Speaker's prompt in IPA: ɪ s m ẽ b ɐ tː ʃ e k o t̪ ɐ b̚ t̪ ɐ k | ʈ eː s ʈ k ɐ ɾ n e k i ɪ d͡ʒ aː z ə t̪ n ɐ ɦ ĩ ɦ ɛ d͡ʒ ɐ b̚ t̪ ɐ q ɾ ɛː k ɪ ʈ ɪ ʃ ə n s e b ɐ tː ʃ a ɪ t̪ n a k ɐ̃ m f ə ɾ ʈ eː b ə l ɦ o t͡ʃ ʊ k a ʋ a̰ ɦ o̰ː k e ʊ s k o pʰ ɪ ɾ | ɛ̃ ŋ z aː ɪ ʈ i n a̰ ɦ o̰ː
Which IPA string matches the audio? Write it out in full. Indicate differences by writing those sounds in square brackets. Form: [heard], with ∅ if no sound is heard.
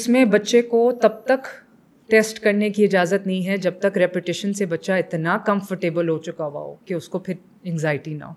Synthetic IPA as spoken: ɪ s m ẽ b ɐ tː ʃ e k o t̪ ɐ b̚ t̪ ɐ k | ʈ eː s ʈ k ɐ ɾ n e k i ɪ d͡ʒ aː z ə t̪ n ɐ ɦ ĩ ɦ ɛ d͡ʒ ɐ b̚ t̪ ɐ [k] ɾ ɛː [p] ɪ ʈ ɪ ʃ ə n s e b ɐ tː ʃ a ɪ t̪ n a k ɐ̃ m f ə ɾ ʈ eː b ə l ɦ o t͡ʃ ʊ k a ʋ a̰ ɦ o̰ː k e ʊ s k o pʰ ɪ ɾ | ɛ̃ ŋ z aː ɪ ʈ i n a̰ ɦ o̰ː